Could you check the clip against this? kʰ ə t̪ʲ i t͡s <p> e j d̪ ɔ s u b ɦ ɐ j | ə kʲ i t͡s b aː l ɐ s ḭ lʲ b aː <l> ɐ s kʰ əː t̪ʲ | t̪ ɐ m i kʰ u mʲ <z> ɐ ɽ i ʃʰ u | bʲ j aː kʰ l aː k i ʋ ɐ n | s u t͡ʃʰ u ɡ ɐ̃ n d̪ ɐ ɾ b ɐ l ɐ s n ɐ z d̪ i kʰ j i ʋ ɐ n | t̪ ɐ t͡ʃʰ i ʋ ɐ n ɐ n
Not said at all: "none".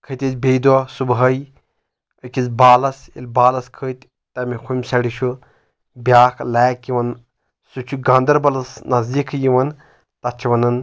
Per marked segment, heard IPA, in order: b, l, s

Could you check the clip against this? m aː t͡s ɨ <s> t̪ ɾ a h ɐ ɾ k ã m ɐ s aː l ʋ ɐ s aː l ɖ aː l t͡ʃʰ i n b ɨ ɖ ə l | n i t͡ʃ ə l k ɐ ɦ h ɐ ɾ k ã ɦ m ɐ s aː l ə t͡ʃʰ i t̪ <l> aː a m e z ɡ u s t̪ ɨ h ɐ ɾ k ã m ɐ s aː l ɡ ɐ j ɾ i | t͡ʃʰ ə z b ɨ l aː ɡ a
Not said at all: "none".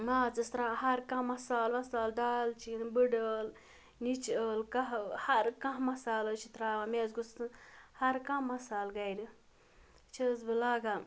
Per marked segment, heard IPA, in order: s, ɾ

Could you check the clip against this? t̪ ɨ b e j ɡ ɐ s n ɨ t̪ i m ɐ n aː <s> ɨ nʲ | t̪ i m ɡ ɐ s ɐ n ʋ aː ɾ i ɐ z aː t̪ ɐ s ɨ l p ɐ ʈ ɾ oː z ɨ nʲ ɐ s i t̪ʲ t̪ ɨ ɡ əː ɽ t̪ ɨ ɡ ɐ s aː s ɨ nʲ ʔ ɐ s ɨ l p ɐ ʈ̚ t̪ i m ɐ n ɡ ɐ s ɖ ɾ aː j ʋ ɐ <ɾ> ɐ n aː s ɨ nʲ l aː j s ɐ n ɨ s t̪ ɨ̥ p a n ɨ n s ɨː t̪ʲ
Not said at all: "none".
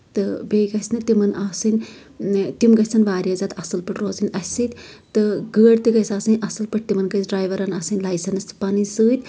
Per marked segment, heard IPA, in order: s, ɾ

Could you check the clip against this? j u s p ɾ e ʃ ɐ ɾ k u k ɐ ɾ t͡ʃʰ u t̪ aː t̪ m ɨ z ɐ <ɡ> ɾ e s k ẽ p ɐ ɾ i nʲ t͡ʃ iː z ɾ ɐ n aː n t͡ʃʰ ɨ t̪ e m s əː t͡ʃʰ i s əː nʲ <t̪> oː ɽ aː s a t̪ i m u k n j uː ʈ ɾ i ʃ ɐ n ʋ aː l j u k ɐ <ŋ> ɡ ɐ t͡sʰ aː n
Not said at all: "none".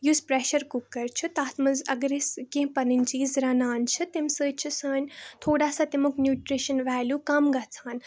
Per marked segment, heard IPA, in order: ɡ, t̪ʰ, m

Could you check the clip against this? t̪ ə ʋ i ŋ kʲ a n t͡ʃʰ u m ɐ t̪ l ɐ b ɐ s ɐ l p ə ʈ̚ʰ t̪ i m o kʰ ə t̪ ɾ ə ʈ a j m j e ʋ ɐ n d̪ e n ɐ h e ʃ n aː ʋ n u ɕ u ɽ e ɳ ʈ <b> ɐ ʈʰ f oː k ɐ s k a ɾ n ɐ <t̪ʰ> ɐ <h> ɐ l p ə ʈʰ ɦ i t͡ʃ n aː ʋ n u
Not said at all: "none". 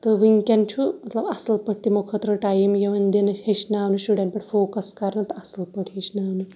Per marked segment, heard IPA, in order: p, t̪, s

